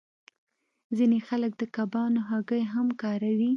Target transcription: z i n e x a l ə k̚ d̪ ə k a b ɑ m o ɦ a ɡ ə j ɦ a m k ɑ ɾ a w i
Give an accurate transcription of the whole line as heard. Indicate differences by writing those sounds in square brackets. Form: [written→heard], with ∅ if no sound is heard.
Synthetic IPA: z i n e x a l ə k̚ d̪ ə k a b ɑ [m→n] o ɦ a ɡ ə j ɦ a m k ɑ ɾ a w i